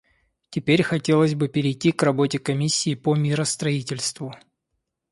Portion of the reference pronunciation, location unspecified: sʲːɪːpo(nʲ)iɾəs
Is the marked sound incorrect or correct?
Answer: incorrect: mʲ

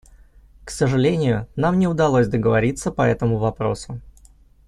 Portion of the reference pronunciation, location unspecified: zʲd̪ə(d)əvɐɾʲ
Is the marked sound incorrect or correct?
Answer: incorrect: ɡ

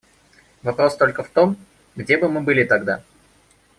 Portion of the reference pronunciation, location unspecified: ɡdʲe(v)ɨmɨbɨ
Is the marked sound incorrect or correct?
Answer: incorrect: b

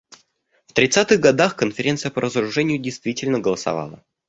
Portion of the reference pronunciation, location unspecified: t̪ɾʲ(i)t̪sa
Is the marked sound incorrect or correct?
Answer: incorrect: ɪ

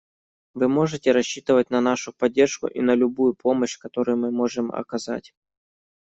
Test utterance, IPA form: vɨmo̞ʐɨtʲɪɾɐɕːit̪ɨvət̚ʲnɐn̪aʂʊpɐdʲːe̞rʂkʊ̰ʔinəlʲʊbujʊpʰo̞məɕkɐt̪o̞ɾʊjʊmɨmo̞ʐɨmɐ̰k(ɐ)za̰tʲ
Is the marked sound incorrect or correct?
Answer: correct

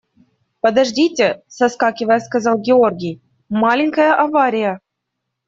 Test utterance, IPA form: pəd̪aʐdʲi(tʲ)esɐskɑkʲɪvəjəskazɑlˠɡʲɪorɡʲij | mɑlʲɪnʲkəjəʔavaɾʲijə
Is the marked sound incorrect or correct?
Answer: correct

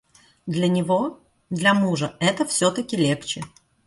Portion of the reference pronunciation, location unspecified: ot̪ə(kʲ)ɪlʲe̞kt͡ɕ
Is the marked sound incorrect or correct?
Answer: correct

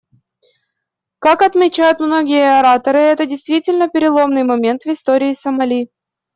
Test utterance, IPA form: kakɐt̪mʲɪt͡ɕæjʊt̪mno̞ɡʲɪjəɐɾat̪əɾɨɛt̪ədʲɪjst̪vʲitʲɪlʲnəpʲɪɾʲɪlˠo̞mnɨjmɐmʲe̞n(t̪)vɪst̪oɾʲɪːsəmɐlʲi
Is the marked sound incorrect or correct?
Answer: correct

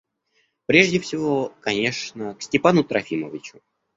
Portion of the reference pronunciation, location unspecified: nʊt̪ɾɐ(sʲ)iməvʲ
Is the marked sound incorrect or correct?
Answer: incorrect: fʲ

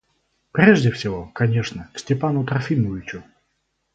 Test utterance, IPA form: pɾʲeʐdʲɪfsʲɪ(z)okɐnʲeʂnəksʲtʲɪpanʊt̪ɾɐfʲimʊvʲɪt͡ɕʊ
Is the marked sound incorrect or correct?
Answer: incorrect: v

